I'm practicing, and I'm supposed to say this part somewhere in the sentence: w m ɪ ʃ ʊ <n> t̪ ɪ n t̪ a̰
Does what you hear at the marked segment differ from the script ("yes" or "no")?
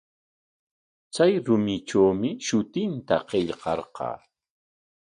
yes